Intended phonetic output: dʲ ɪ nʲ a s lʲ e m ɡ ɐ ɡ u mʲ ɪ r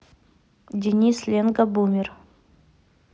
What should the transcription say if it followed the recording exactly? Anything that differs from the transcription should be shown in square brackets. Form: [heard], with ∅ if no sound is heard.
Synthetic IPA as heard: dʲ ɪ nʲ [i] s lʲ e [n] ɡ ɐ [b] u mʲ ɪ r